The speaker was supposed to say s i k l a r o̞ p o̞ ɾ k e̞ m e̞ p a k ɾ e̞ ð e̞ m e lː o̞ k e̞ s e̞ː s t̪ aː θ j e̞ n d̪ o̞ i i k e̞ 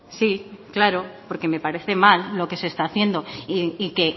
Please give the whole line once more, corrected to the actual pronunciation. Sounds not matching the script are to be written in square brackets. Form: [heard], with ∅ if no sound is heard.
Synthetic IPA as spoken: s i k l a [ɾ] o̞ p o̞ ɾ k e̞ m e̞ p a [∅] ɾ e̞ [θ] e̞ m [a] lː o̞ k e̞ s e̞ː s t̪ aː θ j e̞ n d̪ o̞ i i k e̞